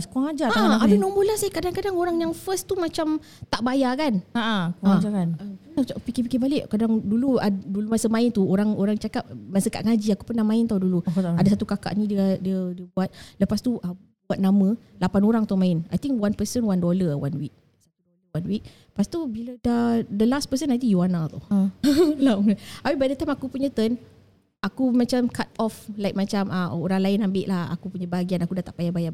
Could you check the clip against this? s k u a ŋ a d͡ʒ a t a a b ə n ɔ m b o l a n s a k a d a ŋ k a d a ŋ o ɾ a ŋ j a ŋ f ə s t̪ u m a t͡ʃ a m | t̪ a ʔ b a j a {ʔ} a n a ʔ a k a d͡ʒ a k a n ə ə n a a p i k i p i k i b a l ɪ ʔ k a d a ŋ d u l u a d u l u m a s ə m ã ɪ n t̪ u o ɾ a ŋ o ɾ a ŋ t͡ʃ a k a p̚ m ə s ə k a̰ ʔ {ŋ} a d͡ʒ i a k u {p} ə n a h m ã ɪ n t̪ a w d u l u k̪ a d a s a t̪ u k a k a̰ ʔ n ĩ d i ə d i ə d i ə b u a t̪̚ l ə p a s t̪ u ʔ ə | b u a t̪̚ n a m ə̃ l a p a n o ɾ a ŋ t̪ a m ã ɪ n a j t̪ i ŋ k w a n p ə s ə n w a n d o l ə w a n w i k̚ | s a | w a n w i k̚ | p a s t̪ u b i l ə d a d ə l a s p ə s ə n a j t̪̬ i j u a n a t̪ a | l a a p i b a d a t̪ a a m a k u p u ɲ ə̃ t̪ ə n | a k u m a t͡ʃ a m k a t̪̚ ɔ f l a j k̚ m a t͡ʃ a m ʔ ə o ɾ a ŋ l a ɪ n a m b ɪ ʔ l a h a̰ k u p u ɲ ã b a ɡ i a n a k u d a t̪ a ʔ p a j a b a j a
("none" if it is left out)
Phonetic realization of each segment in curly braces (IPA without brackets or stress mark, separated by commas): k, ŋ, p